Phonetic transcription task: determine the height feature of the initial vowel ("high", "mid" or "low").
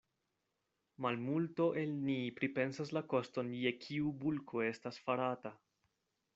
low